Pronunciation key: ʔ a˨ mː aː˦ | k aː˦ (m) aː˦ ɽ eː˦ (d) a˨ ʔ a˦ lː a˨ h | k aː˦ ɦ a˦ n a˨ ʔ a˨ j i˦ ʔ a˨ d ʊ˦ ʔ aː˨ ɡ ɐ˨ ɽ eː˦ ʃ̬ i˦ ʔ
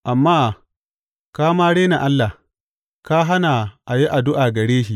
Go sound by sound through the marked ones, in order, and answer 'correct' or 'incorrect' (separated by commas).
correct, incorrect